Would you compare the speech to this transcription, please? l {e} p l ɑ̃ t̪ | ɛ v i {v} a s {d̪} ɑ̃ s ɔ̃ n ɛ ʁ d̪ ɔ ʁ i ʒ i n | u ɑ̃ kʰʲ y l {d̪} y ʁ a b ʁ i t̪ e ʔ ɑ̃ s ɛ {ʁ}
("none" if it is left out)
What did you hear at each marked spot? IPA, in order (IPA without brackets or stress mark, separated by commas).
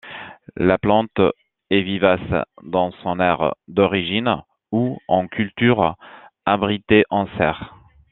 a, v, d̪, t̪, ʁ